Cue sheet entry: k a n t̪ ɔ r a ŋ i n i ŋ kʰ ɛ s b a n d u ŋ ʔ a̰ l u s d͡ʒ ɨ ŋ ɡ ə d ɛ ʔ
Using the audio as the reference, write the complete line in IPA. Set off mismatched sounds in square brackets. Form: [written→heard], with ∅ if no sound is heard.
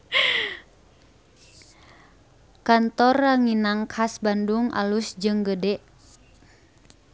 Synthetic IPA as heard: k a n t̪ ɔ r a ŋ i n [i→a] ŋ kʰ [ɛ→a] s b a n d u ŋ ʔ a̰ l u s d͡ʒ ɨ ŋ ɡ ə d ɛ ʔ